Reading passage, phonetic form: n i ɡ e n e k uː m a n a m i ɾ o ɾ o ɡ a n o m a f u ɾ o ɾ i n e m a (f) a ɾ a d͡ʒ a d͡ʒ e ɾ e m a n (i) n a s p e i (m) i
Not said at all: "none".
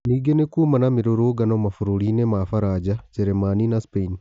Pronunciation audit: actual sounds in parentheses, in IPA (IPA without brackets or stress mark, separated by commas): f, i, n